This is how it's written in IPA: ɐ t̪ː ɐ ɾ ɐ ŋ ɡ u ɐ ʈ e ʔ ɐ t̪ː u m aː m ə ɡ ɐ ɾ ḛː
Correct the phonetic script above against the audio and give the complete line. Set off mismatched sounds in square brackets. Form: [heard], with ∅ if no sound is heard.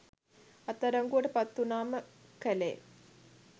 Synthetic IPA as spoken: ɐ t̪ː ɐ ɾ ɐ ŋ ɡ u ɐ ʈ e [p] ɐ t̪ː u [n] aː m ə [k] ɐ [l] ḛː